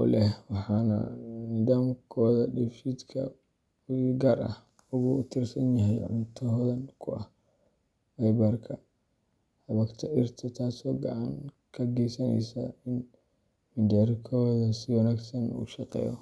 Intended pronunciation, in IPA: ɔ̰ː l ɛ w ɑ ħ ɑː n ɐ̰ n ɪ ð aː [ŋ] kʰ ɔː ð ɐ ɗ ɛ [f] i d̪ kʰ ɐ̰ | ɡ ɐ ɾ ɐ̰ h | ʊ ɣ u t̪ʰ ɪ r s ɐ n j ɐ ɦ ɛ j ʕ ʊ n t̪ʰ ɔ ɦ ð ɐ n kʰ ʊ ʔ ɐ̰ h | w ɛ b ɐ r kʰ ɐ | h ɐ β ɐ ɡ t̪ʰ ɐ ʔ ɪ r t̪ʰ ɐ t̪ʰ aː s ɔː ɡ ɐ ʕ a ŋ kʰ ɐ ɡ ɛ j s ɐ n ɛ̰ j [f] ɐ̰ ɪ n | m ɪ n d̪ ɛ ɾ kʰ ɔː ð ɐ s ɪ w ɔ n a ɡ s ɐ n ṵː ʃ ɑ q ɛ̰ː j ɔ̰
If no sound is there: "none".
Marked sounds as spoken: m, f, s

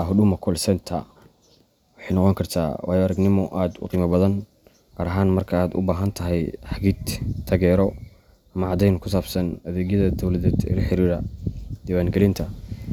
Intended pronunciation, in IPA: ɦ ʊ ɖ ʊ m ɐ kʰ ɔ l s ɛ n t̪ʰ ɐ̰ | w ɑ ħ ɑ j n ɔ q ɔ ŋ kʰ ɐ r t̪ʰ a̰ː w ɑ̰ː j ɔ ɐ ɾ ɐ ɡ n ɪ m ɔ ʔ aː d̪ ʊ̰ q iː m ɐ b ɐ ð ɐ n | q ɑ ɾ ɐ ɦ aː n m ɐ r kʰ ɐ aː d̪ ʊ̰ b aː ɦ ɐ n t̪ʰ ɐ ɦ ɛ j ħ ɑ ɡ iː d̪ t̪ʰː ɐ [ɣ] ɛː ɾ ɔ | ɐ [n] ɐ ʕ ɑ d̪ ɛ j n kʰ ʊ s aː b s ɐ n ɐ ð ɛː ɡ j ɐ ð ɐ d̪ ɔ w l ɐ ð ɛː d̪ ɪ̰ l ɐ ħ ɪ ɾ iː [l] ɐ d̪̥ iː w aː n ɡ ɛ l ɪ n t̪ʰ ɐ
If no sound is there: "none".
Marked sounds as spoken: ɣ, m, ɾ

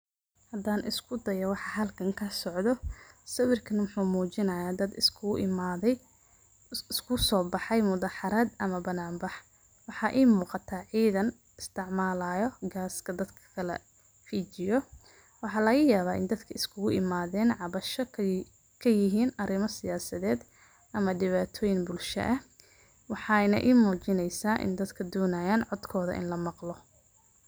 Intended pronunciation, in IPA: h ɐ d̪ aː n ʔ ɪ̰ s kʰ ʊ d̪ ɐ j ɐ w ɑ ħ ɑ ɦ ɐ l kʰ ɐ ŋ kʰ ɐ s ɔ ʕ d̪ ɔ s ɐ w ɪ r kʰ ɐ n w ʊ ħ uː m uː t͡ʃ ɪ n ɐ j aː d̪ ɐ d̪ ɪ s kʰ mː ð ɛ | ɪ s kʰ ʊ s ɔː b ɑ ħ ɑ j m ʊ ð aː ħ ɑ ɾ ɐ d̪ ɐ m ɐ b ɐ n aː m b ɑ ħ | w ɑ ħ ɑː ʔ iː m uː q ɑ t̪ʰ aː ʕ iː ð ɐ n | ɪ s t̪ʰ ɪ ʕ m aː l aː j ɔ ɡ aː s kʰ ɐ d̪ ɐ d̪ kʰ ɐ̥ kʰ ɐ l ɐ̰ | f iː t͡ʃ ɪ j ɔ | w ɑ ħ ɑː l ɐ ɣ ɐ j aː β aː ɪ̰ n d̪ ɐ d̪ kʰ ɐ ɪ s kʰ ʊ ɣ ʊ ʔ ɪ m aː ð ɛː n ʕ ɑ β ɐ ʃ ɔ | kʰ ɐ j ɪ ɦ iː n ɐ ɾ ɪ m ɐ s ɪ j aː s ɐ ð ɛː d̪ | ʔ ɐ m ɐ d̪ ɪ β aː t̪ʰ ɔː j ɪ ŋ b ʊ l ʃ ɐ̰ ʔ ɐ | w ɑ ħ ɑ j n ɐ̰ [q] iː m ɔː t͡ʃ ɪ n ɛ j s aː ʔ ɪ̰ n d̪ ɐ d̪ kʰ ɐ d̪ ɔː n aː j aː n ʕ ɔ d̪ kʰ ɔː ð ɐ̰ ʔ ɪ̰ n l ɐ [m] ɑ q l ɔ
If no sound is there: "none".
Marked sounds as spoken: ʔ, m

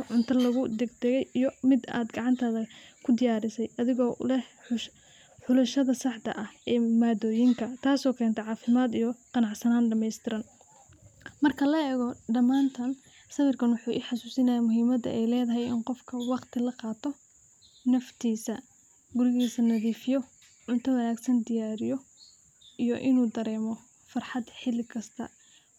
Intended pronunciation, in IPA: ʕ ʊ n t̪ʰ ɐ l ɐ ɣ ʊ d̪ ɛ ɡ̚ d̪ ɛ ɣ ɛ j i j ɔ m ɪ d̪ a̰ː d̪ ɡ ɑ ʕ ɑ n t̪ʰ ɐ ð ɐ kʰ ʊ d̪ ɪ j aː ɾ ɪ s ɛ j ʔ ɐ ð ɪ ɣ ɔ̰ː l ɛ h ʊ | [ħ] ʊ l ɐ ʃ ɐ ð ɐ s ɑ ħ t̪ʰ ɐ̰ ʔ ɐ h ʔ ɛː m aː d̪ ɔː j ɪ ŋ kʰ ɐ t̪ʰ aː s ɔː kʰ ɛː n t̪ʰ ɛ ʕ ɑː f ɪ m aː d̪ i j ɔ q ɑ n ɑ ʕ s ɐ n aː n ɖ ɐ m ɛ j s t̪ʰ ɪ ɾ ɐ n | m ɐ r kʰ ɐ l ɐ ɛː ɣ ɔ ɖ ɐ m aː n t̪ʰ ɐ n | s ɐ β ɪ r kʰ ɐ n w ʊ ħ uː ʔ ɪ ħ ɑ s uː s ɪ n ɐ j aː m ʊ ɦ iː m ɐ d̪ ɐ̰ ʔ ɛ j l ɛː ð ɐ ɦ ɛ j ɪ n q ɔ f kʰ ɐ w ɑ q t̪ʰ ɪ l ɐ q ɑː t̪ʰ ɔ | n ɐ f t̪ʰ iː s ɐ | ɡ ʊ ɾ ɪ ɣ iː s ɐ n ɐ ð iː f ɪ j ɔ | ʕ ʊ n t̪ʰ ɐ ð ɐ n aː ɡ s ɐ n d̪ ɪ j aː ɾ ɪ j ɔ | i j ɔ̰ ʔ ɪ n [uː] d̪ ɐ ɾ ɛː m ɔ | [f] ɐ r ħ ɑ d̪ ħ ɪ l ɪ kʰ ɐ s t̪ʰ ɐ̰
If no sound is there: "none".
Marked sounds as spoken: ħ, uː, f

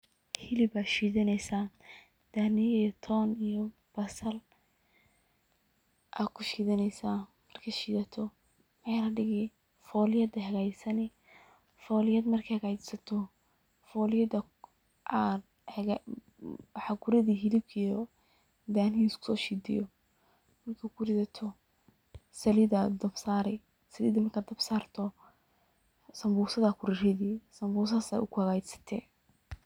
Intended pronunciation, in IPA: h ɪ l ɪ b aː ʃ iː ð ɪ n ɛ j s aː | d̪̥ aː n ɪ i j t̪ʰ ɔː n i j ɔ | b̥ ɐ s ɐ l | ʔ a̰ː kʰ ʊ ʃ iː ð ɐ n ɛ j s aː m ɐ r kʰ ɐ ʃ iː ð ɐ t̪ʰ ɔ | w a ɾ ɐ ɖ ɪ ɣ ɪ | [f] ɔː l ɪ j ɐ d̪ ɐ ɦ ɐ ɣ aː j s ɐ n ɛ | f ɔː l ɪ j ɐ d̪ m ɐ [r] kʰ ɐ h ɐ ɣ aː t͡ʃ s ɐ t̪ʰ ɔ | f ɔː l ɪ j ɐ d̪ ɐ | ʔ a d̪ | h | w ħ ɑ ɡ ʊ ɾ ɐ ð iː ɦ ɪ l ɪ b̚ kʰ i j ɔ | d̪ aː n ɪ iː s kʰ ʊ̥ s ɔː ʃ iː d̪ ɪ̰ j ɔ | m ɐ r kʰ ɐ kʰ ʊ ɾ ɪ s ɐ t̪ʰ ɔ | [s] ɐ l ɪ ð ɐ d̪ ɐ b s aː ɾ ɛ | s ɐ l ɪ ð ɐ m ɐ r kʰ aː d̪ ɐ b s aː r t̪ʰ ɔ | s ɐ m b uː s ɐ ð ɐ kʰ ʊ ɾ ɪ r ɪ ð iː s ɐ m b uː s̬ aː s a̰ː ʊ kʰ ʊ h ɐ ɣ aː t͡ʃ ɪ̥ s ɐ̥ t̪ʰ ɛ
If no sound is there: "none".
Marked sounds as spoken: f, r, s

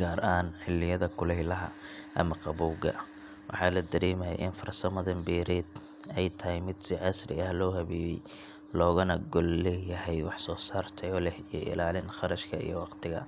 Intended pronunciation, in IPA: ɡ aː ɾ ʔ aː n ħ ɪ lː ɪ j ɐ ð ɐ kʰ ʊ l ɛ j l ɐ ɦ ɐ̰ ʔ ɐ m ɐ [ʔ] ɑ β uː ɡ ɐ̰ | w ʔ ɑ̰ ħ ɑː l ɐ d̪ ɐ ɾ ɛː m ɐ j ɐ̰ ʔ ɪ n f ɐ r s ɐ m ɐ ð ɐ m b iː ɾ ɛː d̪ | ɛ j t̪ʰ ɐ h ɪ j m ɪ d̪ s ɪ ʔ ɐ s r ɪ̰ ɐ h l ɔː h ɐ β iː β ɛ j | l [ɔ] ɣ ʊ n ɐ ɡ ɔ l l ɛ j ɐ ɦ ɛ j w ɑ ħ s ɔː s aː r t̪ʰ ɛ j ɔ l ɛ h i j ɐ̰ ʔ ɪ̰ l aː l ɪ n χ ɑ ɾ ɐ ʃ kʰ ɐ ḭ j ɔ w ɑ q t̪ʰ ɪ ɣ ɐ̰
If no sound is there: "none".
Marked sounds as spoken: q, ɔː

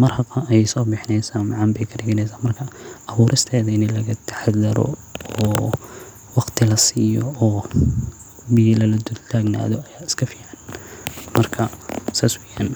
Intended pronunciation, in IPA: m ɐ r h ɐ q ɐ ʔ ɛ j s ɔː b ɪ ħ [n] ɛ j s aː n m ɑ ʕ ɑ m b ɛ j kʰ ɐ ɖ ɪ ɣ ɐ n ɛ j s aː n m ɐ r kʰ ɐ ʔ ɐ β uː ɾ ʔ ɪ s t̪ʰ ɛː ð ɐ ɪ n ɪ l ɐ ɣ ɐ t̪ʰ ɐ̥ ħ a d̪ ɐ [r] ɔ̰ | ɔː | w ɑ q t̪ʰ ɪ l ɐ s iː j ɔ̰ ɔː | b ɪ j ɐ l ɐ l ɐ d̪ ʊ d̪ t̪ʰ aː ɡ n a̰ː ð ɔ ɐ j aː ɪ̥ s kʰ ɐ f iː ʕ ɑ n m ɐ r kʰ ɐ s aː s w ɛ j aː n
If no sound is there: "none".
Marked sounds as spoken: n, ɾ

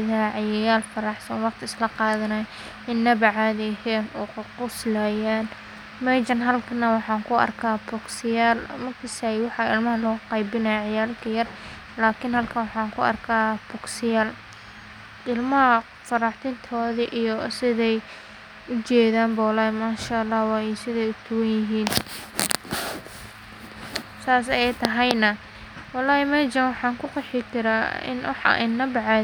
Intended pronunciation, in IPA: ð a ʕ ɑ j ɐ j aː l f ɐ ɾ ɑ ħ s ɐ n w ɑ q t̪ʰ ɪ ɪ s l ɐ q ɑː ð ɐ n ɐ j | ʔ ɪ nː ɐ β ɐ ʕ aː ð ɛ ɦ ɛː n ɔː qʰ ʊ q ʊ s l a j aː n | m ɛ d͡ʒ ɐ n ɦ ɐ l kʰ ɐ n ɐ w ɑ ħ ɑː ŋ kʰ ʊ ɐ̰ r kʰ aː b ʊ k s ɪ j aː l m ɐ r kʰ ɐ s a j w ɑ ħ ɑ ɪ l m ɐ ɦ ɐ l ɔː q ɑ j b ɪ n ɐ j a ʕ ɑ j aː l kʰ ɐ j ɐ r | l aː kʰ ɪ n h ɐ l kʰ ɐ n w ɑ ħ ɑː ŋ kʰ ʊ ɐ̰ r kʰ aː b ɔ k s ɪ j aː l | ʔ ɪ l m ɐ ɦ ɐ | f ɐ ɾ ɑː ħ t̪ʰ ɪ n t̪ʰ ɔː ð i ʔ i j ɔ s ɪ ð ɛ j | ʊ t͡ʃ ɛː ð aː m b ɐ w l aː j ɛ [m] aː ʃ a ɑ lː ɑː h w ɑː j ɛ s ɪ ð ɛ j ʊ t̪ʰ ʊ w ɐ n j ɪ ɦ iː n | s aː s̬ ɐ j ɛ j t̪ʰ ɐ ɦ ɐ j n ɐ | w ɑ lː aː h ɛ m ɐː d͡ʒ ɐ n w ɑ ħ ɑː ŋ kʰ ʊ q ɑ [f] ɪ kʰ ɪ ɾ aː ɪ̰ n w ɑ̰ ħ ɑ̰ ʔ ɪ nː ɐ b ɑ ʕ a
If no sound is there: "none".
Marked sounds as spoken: m, ħ

